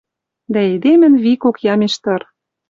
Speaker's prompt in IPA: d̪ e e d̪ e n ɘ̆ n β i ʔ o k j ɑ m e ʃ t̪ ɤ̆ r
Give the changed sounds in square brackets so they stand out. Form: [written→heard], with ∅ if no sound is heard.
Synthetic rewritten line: d̪ [e→æ] e d̪ e [n→m] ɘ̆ n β i [ʔ→k] o k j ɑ m e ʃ t̪ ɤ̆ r